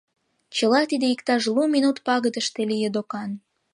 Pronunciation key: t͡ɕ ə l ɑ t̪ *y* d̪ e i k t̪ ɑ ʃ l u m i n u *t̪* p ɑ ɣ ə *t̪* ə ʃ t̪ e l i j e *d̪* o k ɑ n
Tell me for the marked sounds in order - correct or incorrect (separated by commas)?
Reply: incorrect, correct, incorrect, correct